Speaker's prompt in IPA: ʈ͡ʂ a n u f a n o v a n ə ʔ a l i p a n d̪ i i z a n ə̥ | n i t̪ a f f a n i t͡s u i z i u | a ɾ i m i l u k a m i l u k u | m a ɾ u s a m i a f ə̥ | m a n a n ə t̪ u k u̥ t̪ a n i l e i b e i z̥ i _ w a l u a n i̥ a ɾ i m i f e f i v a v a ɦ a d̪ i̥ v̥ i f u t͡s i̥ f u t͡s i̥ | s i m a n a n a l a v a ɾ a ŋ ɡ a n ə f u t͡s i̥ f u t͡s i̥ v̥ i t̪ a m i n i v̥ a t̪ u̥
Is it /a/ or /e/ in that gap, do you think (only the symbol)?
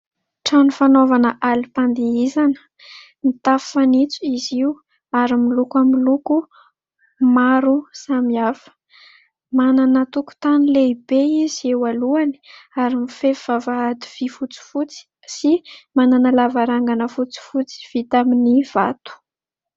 e